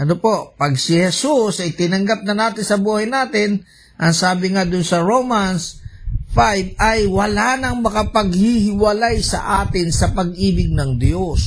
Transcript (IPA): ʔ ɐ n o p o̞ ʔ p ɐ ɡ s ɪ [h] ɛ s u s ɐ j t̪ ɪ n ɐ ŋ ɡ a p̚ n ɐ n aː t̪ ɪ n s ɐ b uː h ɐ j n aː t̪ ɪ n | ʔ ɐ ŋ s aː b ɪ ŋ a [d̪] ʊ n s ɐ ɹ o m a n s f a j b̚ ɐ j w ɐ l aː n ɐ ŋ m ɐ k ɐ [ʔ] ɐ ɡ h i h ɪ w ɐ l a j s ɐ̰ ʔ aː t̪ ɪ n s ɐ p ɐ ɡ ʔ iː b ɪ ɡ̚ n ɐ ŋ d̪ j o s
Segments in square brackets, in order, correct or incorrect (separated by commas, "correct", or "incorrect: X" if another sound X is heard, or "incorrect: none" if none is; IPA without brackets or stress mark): correct, correct, incorrect: p